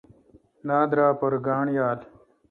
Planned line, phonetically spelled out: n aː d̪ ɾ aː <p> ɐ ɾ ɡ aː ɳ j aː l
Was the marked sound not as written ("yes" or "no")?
no